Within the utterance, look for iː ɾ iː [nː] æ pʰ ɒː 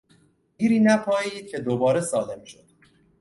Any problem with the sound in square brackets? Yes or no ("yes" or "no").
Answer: yes